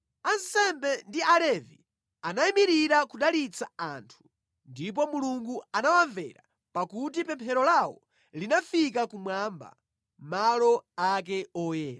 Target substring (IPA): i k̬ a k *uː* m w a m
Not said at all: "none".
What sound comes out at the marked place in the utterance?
u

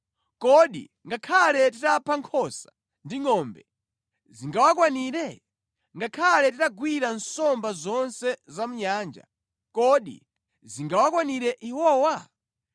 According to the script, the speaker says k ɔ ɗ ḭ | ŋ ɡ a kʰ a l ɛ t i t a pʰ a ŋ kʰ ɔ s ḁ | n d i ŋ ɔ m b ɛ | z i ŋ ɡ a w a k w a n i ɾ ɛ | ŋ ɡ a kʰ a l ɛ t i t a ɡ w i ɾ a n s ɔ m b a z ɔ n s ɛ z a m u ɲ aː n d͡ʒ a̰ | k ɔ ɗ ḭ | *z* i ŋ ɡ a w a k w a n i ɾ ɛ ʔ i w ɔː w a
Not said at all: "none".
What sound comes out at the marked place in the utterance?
z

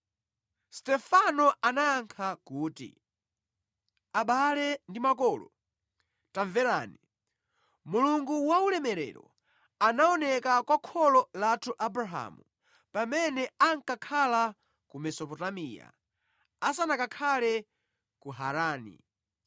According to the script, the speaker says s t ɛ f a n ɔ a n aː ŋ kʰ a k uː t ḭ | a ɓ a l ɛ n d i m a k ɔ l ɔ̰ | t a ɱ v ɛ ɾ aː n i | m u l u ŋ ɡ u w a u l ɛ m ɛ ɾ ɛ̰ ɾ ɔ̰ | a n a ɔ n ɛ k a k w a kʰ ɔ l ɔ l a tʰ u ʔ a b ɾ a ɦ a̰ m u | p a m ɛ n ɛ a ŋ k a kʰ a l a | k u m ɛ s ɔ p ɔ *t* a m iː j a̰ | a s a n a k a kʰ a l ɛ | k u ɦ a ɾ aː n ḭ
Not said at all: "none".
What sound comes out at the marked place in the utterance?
t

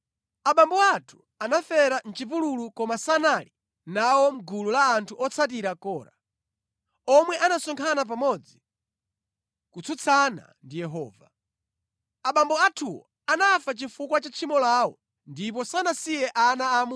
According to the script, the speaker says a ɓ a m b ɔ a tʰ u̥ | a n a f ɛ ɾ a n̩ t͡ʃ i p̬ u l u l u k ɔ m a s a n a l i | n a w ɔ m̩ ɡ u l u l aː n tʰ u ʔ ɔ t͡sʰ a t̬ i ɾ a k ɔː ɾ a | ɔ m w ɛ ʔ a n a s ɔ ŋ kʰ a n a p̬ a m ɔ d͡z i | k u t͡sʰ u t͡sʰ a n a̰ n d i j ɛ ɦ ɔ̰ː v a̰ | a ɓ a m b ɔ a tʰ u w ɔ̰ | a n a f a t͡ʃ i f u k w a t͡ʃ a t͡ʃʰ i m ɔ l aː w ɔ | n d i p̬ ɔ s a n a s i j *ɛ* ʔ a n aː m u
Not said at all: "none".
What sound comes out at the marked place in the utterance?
ɛ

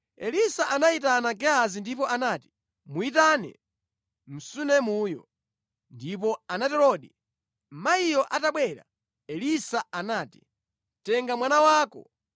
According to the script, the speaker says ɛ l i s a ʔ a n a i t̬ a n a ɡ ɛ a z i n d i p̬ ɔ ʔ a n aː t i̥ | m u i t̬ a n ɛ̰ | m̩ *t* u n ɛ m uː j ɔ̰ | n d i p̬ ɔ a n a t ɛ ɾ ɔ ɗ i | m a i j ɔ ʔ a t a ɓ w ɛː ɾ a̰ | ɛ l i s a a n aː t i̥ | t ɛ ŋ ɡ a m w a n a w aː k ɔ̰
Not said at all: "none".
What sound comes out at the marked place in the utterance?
s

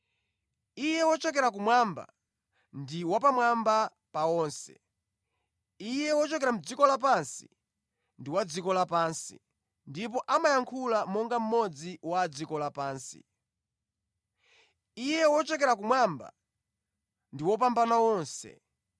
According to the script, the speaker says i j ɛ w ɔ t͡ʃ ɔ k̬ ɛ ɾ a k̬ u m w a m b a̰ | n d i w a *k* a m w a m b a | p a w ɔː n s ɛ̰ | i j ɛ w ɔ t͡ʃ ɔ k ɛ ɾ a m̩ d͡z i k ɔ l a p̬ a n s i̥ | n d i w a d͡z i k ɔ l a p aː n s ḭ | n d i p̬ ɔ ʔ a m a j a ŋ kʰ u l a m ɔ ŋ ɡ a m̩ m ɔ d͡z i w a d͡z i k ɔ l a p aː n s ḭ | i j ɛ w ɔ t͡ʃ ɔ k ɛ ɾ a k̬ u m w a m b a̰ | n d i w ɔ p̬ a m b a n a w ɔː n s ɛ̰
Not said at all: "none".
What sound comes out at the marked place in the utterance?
p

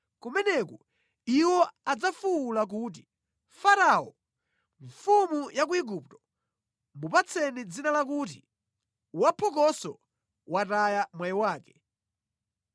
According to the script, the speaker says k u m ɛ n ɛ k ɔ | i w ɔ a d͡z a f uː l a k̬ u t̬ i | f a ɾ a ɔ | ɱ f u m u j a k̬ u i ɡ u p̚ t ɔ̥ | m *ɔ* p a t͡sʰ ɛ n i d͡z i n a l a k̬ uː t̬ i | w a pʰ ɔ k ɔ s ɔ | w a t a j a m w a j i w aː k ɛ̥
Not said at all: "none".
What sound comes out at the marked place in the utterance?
u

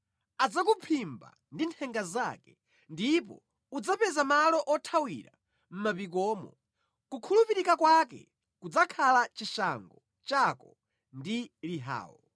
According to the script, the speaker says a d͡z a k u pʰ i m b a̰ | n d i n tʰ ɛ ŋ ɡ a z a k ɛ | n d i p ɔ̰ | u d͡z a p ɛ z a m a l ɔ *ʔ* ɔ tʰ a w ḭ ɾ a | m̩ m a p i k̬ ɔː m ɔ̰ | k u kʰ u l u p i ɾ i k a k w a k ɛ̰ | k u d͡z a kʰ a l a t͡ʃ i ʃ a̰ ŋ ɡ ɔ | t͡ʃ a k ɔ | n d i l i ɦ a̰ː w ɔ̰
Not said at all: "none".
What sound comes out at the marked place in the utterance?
ʔ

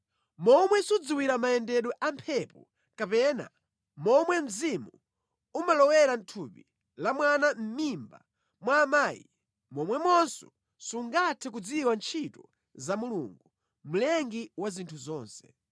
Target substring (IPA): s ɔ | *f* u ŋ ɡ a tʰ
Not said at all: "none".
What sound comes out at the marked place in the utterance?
s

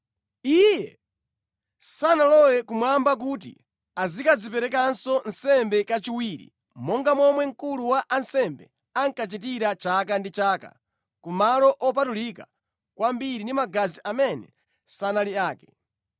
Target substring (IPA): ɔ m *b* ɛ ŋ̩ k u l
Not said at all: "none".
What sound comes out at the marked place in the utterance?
w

